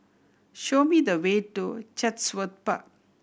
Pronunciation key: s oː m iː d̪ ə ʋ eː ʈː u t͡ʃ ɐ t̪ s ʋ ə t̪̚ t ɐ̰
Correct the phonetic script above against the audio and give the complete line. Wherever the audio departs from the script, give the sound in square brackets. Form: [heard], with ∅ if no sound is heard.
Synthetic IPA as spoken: [ʃ] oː m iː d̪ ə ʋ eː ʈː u t͡ʃ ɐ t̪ s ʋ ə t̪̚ [p] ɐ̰